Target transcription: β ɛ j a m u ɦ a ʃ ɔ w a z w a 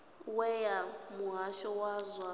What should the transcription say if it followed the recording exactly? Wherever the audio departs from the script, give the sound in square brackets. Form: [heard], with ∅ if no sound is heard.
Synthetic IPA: [w] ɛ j a m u ɦ a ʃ ɔ w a z w a